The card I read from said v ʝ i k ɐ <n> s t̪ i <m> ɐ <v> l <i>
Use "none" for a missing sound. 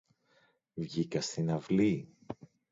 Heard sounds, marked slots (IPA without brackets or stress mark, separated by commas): none, n, v, i